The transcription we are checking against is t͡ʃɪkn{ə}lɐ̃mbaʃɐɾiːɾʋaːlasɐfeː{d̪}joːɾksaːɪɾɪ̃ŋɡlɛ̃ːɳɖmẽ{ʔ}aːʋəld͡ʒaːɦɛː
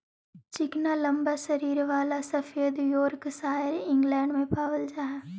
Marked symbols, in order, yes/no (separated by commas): no, yes, no